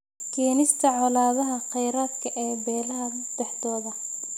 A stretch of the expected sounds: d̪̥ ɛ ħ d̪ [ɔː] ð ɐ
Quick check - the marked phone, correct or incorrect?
correct